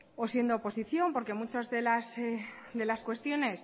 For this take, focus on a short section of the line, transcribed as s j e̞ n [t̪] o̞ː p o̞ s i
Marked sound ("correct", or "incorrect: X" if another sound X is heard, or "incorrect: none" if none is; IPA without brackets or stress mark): incorrect: d̪